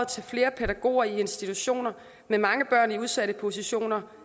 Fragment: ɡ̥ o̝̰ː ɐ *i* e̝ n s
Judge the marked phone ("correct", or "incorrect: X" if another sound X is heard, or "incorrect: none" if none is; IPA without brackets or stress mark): correct